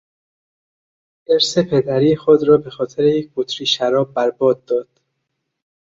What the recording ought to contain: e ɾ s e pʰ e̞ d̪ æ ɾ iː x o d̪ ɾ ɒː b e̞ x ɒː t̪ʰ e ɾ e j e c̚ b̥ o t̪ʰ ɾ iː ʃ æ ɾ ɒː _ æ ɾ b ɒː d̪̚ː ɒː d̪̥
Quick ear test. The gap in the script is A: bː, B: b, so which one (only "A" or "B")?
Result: A